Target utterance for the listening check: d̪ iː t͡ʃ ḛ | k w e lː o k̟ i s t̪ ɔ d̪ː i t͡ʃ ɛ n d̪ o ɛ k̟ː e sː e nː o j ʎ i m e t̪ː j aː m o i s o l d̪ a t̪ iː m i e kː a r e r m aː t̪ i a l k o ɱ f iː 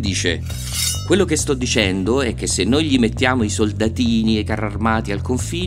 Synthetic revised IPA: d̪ iː t͡ʃ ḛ | k w e lː o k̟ e s t̪ ɔ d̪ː i t͡ʃ ɛ n d̪ o ɛ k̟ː e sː e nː o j ʎ i m e t̪ː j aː m o i s o l d̪ a t̪ iː n i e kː a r a r m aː t̪ i a l k o ɱ f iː